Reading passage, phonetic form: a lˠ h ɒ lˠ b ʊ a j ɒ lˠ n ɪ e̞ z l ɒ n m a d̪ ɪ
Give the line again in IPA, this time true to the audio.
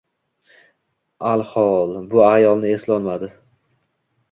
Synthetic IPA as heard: a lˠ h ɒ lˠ b ʊ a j ɒ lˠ n ɪ e̞ s l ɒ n m a d̪ ɪ